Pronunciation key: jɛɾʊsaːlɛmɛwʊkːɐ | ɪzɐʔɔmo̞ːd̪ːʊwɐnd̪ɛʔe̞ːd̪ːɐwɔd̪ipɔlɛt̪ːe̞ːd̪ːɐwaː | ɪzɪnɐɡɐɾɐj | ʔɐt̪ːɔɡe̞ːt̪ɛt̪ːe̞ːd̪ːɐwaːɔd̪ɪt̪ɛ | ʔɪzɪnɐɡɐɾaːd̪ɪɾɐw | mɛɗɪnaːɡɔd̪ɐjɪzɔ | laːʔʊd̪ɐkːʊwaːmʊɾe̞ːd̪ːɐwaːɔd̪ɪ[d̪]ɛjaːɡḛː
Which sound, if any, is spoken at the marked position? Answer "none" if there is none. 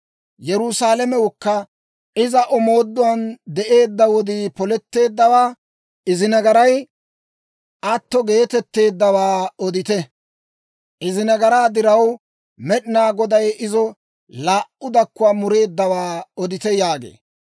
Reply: t̪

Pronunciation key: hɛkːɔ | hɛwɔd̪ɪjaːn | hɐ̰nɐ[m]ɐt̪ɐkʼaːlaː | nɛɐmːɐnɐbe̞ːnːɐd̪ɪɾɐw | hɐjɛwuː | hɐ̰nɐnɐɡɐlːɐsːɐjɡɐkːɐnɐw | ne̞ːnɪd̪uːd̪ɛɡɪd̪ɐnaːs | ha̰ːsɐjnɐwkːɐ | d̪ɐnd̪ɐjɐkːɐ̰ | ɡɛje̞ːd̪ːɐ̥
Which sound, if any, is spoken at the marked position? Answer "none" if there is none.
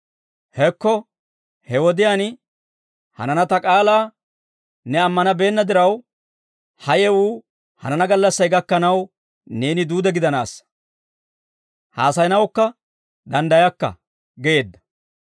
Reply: n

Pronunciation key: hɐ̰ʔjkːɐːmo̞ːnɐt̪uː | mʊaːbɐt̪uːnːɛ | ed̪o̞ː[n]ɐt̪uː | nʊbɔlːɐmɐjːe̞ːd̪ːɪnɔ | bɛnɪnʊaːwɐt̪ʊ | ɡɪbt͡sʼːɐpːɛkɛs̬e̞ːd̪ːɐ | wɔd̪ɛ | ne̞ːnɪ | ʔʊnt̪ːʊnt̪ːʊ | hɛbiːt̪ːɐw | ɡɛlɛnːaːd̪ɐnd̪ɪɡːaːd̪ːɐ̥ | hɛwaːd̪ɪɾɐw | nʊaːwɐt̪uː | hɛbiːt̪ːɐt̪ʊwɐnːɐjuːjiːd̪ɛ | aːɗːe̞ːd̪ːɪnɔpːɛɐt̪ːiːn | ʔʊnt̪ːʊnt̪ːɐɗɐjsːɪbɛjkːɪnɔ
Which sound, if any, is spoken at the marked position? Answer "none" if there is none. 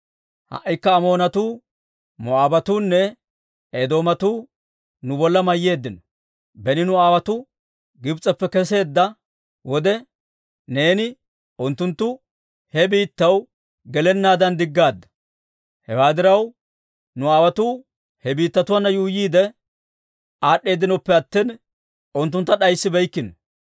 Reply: m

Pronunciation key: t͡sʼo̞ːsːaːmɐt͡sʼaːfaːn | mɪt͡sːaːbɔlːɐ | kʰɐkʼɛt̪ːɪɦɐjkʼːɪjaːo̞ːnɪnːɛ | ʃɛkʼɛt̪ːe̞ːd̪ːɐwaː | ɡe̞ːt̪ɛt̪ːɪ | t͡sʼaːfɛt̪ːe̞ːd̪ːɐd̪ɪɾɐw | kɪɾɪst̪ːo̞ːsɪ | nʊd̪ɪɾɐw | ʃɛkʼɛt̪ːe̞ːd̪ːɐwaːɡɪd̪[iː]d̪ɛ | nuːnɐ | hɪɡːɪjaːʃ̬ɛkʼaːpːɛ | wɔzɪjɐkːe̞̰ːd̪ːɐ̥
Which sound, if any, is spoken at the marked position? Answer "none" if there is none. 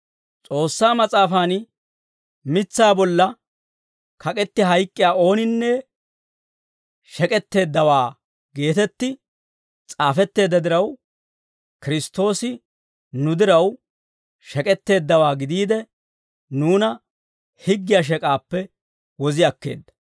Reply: iː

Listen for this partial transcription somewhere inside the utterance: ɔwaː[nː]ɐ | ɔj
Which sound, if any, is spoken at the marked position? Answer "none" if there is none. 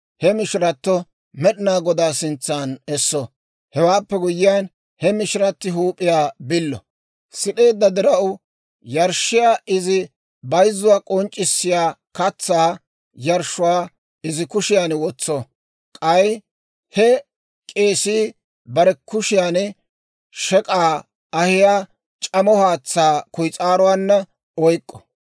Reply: nː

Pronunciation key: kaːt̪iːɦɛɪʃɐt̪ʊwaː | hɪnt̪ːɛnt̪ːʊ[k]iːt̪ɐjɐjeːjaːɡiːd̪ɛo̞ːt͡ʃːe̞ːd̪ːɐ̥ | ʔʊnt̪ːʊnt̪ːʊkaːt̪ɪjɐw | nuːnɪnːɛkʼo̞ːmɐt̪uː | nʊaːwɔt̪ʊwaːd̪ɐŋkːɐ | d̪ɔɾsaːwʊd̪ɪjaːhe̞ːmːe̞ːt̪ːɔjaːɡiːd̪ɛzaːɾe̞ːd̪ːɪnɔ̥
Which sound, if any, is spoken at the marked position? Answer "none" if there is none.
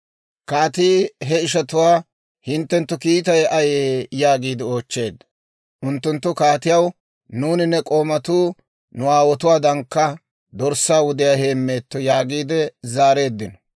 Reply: k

